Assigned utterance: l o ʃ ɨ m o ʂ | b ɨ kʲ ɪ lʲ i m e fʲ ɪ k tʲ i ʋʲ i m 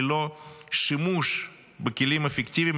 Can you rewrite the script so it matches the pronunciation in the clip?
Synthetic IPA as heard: l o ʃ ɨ m u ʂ | b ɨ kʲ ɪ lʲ i m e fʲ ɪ k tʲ i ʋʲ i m